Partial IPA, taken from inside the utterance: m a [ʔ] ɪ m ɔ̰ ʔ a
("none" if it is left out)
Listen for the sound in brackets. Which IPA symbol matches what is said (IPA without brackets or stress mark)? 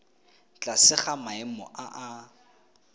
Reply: none